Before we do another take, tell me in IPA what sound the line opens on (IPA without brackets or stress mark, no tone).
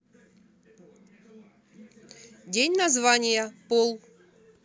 dʲ